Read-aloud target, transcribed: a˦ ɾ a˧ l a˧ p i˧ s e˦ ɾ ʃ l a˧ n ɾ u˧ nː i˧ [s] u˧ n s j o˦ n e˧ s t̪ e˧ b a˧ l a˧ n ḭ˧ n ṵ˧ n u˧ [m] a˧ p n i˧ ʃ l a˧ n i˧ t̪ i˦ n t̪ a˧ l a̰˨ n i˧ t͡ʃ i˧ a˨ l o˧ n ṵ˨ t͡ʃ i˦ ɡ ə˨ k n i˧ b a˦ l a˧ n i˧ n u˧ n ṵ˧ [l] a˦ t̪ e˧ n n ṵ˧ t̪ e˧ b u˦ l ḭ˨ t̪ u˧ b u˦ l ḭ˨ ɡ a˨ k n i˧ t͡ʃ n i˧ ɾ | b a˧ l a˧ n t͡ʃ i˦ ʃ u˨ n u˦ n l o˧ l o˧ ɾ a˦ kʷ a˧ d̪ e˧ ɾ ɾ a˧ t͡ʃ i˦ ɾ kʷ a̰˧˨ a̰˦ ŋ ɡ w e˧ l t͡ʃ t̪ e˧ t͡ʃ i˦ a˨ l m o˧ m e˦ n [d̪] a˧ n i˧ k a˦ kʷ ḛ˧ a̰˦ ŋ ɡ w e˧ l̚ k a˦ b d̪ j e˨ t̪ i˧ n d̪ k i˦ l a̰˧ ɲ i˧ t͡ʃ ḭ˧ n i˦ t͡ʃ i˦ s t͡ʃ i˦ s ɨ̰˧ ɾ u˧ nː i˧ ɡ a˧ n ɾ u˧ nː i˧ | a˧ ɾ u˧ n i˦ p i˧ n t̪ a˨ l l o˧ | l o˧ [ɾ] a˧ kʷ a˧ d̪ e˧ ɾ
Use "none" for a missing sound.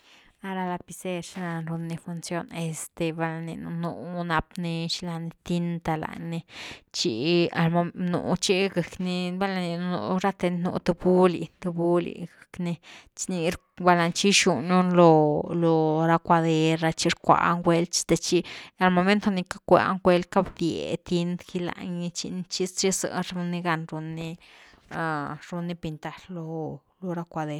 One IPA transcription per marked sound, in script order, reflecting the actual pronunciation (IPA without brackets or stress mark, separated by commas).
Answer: f, n, ɾ, t̪, ɾ